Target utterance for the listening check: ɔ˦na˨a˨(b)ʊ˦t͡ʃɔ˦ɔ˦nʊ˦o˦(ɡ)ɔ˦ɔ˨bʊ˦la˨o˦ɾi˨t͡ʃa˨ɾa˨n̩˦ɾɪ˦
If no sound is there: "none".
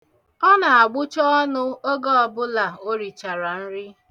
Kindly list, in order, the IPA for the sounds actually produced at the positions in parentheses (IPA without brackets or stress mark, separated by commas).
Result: ɡ͡b, ɡ